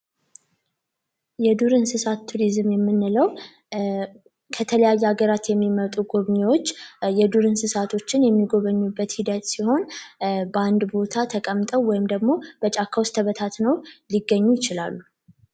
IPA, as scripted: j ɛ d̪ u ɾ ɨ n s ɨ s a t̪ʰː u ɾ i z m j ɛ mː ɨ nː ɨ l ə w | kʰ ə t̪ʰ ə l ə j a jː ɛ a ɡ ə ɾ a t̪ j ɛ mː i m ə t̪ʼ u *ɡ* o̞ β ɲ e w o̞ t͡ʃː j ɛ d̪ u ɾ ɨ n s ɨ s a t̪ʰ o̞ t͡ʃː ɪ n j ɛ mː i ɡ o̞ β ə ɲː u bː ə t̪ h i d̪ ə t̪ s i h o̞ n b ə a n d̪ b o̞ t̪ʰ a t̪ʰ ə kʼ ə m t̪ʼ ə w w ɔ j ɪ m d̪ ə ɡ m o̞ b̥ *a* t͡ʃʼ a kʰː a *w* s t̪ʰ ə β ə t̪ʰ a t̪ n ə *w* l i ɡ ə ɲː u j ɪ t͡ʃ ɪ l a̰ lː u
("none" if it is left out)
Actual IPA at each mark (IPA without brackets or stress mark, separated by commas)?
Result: ɡ, ə, w, w